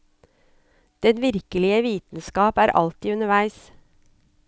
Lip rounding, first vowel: unrounded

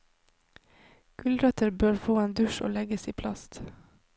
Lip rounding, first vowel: rounded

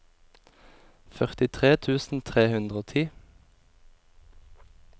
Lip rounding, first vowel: rounded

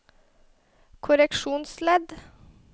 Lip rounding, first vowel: rounded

